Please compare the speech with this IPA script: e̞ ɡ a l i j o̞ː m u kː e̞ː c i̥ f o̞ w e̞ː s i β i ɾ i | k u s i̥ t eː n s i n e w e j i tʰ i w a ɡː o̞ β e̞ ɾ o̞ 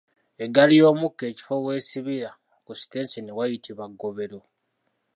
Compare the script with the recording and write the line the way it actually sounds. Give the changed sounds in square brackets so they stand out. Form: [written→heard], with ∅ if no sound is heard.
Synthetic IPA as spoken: e̞ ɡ a l i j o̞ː m u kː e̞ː c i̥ f o̞ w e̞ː s i β i ɾ [i→a] | k u s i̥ t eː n s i n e w [e→a] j i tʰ i [w→β] a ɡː o̞ β e̞ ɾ o̞